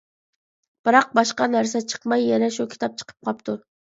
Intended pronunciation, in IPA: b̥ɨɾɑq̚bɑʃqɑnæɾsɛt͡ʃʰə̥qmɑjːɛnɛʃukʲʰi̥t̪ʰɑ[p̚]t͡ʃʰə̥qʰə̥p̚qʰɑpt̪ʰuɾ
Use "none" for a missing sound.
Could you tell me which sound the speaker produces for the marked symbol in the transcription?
p̚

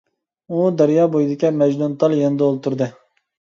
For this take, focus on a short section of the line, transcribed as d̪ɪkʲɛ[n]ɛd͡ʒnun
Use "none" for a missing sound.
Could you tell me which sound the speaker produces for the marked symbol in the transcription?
m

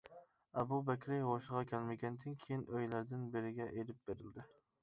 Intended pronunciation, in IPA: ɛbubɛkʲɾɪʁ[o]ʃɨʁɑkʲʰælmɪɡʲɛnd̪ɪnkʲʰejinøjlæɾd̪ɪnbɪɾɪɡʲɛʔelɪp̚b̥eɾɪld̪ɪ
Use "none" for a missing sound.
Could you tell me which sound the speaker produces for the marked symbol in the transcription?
o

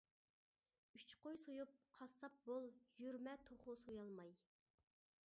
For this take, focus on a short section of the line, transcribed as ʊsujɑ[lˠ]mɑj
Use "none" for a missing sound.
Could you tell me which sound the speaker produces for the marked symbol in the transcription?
lˠ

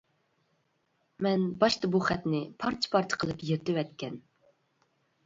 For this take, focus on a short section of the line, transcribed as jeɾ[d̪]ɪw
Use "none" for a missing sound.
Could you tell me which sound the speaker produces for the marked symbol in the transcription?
t̪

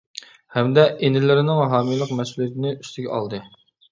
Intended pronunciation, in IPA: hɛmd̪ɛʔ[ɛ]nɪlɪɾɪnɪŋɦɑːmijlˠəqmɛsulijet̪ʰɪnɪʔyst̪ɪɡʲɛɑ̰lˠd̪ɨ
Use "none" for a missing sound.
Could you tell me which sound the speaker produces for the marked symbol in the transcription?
e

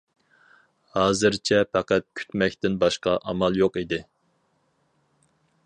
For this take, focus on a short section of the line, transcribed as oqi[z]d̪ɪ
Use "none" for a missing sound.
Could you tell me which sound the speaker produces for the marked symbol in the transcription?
none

